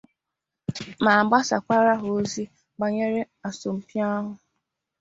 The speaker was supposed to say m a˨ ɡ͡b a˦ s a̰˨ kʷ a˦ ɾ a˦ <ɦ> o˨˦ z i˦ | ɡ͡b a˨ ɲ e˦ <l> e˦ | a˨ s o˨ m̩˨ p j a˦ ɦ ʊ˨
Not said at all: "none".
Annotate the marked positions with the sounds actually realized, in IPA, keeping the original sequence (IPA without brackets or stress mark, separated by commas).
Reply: ɦ, ɾ